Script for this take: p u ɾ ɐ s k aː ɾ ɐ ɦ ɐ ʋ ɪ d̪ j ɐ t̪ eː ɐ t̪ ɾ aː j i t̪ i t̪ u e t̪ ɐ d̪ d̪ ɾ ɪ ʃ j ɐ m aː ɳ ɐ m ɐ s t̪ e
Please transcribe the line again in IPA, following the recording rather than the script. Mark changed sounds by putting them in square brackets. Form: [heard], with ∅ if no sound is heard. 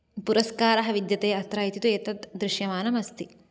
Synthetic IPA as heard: p u ɾ ɐ s k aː ɾ ɐ ɦ ɐ ʋ [i] d̪ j ɐ t̪ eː ɐ t̪ ɾ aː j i t̪ i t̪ u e t̪ ɐ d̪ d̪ ɾ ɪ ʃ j ɐ m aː [n] ɐ m ɐ s t̪ [i]